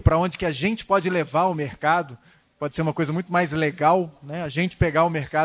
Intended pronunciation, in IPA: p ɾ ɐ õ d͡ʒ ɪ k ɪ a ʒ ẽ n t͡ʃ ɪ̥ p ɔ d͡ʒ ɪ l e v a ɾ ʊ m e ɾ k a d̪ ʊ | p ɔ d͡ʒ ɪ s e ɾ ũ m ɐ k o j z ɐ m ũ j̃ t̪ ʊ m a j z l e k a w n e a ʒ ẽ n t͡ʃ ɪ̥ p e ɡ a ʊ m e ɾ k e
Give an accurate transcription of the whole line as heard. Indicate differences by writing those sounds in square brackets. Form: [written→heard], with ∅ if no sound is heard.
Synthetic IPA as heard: p ɾ ɐ õ d͡ʒ ɪ k ɪ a ʒ ẽ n t͡ʃ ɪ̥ p ɔ d͡ʒ ɪ l e v a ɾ ʊ m e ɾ k a d̪ ʊ | p ɔ d͡ʒ ɪ s e ɾ ũ m ɐ k o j z ɐ m ũ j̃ t̪ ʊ m a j z l e [k→ɡ] a w n [e→ɛ] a ʒ ẽ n t͡ʃ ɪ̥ p e ɡ a ʊ m e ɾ k [e→a]